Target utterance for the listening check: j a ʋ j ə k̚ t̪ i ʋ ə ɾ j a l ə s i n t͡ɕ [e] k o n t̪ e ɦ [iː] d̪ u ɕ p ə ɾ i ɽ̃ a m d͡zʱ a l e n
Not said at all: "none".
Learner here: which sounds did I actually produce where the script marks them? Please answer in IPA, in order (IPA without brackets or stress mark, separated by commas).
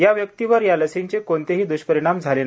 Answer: e, iː